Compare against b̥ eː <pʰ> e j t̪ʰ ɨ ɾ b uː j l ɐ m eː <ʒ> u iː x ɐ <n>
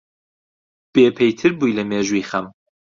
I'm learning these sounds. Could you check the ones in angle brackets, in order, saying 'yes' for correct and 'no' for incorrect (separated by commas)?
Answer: yes, yes, no